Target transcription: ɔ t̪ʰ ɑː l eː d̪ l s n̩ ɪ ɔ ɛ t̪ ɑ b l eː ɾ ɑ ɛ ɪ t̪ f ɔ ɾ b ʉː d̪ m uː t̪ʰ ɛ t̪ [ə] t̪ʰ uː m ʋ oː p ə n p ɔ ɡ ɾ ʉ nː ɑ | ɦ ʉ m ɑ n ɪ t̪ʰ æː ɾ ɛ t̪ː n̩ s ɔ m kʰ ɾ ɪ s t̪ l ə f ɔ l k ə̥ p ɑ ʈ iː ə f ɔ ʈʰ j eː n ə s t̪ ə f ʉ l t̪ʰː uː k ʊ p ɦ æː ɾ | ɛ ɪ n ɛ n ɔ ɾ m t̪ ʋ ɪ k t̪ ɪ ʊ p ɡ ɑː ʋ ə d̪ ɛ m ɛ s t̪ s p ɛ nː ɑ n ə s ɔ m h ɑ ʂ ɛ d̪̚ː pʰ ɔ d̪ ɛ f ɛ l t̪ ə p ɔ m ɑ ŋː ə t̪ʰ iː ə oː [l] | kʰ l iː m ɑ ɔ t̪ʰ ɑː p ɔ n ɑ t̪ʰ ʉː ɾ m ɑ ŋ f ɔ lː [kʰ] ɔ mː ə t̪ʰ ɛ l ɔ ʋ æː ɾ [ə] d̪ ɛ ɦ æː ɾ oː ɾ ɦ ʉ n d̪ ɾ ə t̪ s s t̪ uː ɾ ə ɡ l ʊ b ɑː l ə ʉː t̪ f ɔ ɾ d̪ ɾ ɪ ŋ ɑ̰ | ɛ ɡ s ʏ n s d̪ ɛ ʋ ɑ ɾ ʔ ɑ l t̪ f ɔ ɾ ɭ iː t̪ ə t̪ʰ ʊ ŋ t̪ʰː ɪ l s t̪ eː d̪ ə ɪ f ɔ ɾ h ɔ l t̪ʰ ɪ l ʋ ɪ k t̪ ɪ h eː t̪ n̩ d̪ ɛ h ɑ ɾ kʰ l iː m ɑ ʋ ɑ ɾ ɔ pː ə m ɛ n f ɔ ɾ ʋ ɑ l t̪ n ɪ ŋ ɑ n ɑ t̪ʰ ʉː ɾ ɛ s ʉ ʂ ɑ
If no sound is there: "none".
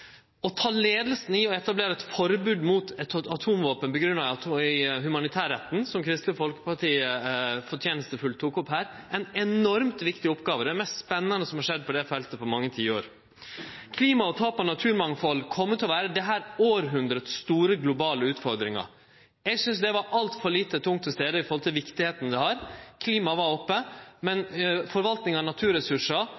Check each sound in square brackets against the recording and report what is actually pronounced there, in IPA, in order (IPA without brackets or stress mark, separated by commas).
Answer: ɑ, ɾ, kʰ, ə